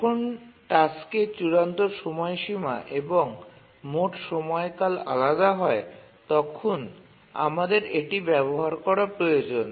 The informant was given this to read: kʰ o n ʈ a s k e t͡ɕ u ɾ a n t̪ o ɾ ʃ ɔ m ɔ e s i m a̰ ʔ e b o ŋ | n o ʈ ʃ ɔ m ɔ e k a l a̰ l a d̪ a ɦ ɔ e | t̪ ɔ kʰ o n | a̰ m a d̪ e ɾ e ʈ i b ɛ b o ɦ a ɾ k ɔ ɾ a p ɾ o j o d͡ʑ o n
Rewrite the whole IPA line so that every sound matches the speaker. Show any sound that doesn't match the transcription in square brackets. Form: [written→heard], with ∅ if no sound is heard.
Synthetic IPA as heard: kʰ o n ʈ a s k e t͡ɕ u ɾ a n t̪ o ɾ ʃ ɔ m ɔ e [s→ʃ] i m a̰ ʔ e b o ŋ | [n→m] o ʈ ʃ ɔ m ɔ e k a l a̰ l a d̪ a ɦ ɔ e | t̪ ɔ kʰ o n | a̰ m a d̪ e ɾ e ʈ i b ɛ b o ɦ a ɾ k ɔ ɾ a p ɾ o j o d͡ʑ o n